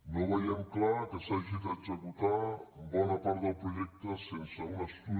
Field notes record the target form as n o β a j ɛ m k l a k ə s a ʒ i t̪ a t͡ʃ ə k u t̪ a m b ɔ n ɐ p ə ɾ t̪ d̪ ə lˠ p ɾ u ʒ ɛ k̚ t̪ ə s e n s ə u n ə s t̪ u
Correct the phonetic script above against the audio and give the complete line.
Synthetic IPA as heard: n o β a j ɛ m k l a k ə s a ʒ i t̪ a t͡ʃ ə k u t̪ a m b ɔ n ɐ p a ɾ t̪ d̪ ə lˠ p ɾ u ʒ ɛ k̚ t̪ ə s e n s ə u n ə s t̪ u